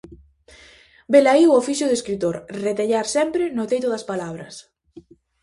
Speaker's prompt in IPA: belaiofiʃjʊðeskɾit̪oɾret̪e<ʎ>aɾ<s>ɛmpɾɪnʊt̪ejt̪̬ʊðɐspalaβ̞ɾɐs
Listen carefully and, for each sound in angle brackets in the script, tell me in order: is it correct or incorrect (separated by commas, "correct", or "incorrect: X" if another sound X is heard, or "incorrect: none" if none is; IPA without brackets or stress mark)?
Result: correct, correct